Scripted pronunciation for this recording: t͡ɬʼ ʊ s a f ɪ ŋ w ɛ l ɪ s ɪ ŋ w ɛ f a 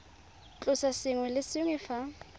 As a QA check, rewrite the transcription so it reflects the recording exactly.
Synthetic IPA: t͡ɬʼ ʊ s a s ɪ ŋ w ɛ l ɪ s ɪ ŋ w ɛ f a